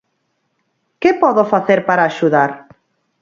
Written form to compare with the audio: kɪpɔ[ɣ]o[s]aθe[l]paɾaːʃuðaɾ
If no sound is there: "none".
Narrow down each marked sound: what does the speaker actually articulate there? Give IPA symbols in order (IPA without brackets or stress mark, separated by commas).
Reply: ð, f, ɾ